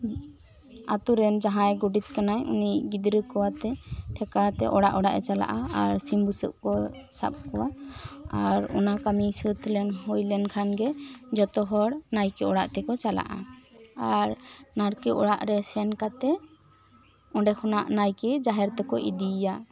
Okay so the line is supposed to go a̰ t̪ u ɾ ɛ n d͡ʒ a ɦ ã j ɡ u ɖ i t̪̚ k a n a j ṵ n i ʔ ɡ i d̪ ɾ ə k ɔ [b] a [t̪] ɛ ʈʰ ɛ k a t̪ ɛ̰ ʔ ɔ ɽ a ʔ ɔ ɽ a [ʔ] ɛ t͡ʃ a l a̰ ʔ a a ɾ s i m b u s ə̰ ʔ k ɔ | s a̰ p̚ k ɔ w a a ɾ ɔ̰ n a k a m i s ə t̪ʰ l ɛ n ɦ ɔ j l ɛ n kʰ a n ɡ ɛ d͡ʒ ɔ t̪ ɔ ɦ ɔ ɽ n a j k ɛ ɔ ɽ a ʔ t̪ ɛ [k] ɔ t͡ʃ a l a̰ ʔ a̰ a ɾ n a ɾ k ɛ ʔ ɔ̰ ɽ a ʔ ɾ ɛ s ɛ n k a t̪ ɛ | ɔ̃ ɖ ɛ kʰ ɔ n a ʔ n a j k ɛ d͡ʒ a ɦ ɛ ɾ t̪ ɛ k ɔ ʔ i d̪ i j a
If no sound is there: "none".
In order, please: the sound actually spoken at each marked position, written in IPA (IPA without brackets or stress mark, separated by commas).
w, t̪, ʔ, k